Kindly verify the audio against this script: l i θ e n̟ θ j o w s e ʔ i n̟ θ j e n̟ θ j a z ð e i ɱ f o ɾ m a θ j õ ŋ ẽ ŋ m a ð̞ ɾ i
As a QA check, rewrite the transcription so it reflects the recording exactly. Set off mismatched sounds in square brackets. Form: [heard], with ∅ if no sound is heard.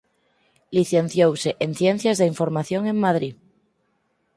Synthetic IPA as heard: l i θ e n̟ θ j o w s e ʔ [e] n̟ θ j e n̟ θ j a z ð e i ɱ f o ɾ m a θ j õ ŋ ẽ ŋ m a ð̞ ɾ i